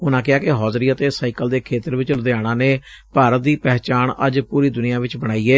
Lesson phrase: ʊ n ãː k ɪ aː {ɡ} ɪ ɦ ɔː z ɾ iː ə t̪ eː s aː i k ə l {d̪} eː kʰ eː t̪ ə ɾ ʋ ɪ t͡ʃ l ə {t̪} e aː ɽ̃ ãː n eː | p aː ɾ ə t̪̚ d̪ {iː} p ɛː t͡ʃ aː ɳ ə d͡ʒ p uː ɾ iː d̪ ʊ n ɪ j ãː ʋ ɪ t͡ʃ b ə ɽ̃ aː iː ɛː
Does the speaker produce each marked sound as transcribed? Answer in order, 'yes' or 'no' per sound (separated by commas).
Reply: no, yes, no, yes